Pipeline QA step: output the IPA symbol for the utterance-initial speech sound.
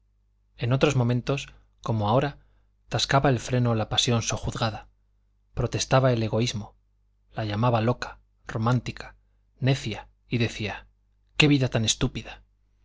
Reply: e̞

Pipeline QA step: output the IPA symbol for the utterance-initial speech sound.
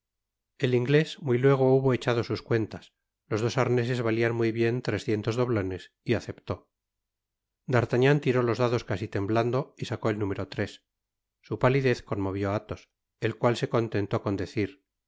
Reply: e̞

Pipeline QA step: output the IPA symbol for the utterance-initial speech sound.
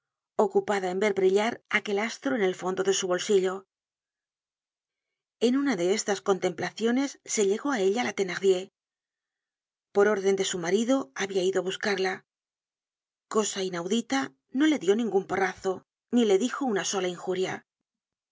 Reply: o̞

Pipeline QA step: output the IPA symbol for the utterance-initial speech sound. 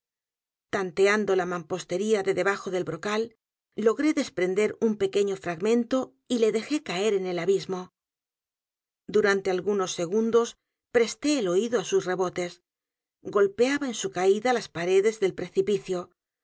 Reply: t̪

